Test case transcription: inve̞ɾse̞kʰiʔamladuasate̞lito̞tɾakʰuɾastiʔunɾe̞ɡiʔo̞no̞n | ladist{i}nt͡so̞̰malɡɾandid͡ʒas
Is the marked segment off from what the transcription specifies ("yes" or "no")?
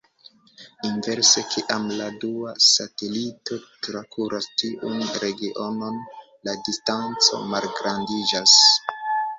yes